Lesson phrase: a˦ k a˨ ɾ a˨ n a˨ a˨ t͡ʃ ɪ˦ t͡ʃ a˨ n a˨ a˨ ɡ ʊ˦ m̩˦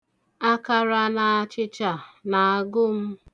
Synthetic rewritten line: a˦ k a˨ ɾ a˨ n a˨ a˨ t͡ʃ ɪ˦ t͡ʃ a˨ n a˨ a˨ ɡ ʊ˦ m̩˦